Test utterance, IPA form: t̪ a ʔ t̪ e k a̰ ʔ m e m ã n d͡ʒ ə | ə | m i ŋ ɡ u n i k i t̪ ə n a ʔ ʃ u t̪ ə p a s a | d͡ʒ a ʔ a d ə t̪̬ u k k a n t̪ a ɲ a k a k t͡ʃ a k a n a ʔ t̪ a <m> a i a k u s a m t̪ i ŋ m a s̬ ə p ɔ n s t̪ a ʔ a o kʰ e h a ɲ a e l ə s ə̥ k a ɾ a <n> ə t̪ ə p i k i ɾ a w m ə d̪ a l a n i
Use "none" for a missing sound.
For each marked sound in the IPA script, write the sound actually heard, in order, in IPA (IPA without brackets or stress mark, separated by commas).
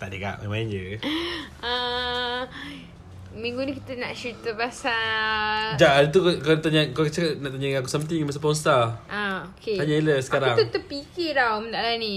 ɲ, ŋ